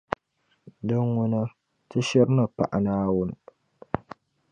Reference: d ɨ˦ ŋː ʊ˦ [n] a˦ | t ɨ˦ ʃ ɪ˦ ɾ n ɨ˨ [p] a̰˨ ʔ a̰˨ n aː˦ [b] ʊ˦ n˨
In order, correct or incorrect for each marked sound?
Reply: correct, correct, incorrect: w

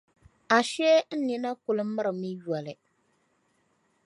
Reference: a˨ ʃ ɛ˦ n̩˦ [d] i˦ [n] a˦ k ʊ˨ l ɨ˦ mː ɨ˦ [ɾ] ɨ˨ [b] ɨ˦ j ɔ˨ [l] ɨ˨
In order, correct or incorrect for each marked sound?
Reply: incorrect: n, correct, correct, incorrect: m, correct

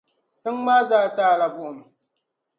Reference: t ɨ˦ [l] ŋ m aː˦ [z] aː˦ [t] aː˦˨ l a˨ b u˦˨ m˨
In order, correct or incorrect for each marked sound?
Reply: incorrect: none, correct, correct

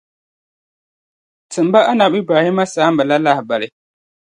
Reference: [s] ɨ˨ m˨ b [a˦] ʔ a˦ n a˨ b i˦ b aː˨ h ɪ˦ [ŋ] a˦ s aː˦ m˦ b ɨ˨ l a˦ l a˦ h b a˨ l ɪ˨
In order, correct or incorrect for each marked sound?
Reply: incorrect: t, correct, incorrect: m

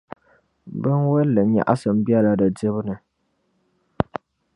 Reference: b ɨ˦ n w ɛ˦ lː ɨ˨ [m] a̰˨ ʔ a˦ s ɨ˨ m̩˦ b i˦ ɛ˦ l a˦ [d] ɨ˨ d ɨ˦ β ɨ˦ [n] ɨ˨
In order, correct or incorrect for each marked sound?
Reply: incorrect: ɲ, correct, correct

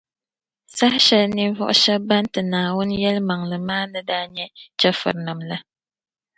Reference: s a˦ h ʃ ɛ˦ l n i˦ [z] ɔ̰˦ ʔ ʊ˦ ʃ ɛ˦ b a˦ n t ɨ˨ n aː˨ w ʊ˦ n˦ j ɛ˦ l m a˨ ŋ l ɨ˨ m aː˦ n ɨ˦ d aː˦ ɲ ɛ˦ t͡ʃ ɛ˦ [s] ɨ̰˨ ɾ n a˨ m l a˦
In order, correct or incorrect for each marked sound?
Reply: incorrect: v, incorrect: f

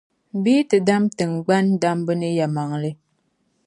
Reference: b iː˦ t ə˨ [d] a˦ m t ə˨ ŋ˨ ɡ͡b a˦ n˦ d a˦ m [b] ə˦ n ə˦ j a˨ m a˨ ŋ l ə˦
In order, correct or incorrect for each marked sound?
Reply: correct, correct

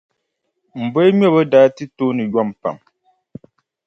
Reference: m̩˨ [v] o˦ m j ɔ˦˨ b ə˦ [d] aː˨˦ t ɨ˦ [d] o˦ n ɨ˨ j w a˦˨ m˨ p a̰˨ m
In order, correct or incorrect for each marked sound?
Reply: incorrect: b, correct, incorrect: t

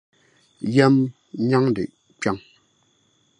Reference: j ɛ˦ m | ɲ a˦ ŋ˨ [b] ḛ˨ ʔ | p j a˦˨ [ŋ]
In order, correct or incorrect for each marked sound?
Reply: incorrect: d, correct

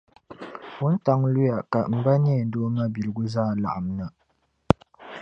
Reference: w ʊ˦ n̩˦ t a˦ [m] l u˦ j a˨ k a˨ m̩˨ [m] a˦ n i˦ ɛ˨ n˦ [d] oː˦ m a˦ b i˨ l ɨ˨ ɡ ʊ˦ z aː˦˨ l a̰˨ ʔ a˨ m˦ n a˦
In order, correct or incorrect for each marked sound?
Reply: incorrect: ŋ, incorrect: b, correct

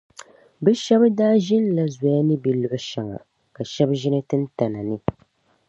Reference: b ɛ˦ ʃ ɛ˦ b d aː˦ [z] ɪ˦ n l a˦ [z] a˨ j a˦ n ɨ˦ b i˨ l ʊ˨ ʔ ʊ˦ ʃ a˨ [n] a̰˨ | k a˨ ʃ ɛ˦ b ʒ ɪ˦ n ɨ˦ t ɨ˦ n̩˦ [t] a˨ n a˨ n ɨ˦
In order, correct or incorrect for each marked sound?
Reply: incorrect: ʒ, correct, incorrect: ŋ, correct

